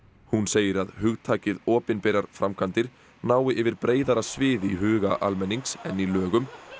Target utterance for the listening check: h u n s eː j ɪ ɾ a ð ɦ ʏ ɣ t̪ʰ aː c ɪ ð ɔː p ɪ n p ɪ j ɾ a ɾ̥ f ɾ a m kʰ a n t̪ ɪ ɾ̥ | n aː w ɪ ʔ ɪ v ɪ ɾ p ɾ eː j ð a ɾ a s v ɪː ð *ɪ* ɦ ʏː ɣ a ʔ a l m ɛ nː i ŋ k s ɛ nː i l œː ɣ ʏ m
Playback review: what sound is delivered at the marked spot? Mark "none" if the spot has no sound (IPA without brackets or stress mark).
i